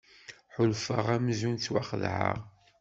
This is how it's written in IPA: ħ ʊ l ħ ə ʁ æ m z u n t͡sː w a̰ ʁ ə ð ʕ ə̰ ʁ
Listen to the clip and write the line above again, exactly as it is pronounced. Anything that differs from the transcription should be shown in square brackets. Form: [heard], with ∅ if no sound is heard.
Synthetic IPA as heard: ħ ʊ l [f] ə ʁ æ m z u n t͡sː w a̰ [χ] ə ð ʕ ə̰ ʁ